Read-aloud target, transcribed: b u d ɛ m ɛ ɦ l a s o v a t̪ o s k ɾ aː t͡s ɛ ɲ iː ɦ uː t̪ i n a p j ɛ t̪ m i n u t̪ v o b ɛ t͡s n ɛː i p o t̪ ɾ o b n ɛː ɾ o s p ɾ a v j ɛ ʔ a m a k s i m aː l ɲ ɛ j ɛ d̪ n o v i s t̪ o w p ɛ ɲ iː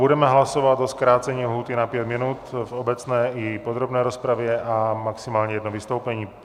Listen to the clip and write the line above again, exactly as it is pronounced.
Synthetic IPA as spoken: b u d ɛ m ɛ ɦ l a s o v a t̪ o s k ɾ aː t͡s ɛ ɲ iː ɦ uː t̪ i n a p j ɛ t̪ m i n u t̪ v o b ɛ t͡s n ɛː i p o d̪ ɾ o b n ɛː ɾ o s p ɾ a v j ɛ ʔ a m a k s i m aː l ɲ ɛ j ɛ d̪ n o v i s t̪ o w p ɛ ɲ iː